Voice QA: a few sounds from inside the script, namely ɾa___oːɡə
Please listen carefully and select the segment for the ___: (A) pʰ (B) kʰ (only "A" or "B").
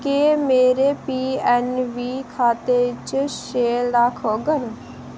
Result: B